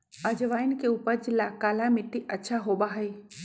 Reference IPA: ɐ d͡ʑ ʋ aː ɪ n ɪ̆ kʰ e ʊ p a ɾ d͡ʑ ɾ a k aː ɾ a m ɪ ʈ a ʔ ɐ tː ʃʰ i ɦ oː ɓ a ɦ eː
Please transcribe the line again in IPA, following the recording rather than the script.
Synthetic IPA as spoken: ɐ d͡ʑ ʋ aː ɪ n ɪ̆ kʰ e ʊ p ə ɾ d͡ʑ l a k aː l a m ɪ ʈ i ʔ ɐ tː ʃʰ a ɦ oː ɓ a ɦ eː